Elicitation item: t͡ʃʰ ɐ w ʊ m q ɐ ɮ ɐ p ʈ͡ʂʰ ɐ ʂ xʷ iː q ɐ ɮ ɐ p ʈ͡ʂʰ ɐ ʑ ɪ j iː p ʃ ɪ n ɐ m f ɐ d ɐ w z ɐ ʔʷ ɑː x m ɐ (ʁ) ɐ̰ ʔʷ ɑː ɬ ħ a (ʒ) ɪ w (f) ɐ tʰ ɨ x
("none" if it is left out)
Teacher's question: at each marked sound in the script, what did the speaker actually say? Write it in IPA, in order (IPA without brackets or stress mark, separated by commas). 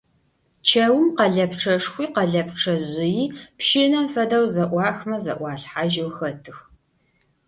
z, ʒ, x